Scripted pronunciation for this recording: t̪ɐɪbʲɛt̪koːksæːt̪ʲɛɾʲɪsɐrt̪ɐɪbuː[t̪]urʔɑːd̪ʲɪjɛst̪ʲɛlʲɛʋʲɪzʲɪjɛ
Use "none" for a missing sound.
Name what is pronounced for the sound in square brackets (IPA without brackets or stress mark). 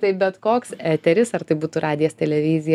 t̪